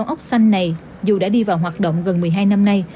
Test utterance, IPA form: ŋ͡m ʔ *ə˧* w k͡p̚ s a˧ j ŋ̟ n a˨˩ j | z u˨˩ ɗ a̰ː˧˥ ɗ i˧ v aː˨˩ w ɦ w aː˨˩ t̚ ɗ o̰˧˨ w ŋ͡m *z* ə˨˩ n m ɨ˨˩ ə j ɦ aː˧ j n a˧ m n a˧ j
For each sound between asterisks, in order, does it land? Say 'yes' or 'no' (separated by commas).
no, no